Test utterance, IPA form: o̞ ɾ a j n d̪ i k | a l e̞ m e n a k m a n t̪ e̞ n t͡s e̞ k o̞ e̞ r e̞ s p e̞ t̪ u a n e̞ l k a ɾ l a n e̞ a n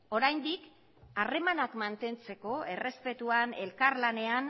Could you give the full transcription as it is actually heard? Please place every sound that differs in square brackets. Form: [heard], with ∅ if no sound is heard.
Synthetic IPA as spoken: o̞ ɾ a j n d̪ i k | a [r] e̞ m [a] n a k m a n t̪ e̞ n t͡s e̞ k o̞ e̞ r e̞ s p e̞ t̪ u a n e̞ l k a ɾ l a n e̞ a n